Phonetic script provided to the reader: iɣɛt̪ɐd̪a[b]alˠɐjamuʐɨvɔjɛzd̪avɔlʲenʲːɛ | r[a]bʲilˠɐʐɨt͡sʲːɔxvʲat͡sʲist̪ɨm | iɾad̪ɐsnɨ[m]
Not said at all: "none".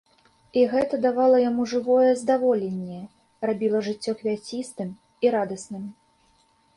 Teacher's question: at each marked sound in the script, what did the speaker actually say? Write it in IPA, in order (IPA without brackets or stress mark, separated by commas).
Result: v, a, m